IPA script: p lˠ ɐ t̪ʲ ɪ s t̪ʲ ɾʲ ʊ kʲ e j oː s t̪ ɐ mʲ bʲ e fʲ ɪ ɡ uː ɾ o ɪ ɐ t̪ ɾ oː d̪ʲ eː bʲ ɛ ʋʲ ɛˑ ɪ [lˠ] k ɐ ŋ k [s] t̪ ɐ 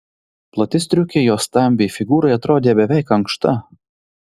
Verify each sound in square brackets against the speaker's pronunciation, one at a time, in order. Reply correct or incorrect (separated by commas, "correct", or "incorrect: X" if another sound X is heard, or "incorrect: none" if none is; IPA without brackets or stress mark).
incorrect: none, incorrect: ʃ